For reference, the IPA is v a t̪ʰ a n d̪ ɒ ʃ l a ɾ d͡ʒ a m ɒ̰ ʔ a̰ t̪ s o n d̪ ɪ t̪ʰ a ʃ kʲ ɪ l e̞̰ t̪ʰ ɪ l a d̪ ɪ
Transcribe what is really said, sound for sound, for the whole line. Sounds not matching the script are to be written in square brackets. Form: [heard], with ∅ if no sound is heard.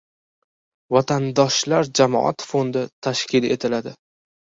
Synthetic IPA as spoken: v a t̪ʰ a n d̪ ɒ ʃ l a ɾ d͡ʒ a m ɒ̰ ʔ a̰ t̪ [f] o n d̪ ɪ t̪ʰ a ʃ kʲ ɪ l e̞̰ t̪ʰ ɪ l a d̪ ɪ